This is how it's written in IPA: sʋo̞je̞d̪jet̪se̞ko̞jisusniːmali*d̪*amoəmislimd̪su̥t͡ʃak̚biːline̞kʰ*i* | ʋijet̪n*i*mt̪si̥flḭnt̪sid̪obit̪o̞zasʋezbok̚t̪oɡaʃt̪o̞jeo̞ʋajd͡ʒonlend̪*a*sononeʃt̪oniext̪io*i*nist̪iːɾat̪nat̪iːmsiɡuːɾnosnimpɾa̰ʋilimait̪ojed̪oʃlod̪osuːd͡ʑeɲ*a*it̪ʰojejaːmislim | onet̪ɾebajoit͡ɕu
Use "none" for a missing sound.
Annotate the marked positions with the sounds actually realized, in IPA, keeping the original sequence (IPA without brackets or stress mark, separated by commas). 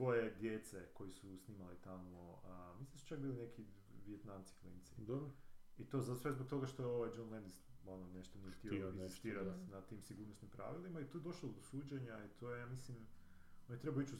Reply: t̪, i, a, i, i, a